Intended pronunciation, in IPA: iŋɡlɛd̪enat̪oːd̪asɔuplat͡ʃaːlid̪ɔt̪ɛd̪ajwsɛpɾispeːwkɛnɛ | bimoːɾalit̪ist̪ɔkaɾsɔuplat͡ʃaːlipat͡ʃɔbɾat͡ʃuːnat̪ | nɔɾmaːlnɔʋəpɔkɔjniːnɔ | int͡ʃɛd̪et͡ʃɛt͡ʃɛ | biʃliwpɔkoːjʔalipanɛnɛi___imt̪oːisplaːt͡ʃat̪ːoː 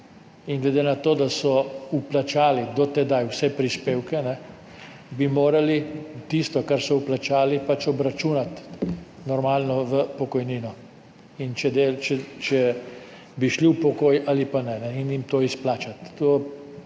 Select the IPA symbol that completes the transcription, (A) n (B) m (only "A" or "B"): A